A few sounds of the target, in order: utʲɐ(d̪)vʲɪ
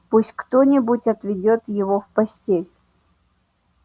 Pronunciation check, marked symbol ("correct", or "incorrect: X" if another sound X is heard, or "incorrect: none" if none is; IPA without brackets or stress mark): incorrect: t̪